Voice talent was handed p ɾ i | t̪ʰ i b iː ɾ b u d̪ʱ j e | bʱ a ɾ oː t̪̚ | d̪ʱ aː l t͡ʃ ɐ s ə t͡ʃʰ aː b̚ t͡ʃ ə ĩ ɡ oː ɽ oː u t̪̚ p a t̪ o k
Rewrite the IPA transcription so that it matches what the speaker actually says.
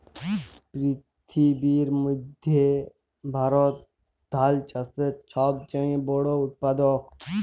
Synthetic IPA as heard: p ɾ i | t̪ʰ i b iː ɾ m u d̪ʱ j e | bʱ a ɾ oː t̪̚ | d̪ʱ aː l t͡ʃ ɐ s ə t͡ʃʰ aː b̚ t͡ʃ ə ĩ b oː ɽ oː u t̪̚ p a d̪ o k